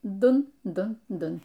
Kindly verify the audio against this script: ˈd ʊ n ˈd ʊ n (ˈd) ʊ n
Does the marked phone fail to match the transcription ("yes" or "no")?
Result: no